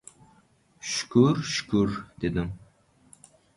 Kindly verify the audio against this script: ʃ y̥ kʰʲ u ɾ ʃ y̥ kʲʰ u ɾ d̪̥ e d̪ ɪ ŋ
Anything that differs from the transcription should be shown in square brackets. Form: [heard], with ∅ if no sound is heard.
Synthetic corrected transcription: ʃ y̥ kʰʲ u ɾ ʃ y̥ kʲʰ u ɾ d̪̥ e d̪ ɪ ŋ